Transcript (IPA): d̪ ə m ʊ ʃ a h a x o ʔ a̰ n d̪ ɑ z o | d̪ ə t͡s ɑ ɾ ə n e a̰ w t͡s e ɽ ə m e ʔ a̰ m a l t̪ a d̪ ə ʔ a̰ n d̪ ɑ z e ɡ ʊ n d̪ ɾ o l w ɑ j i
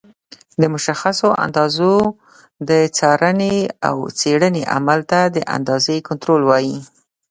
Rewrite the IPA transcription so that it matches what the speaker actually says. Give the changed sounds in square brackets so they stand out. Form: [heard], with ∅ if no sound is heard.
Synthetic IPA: d̪ ə m ʊ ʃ a [x] a [s] o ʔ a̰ n d̪ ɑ z o | d̪ ə t͡s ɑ ɾ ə n e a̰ w t͡s e ɽ ə [n] e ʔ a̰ m a l t̪ a d̪ ə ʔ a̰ n d̪ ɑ z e [k] ʊ n [t̪] ɾ o l w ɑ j i